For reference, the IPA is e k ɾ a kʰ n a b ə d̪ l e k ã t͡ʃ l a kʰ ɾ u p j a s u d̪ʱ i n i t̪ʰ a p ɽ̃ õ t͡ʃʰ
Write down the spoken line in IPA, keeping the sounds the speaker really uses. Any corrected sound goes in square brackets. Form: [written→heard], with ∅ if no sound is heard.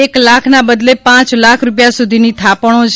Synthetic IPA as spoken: e k [ɾ→l] a kʰ n a b ə d̪ l e [k→p] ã t͡ʃ l a kʰ ɾ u p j a s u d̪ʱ i n i t̪ʰ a p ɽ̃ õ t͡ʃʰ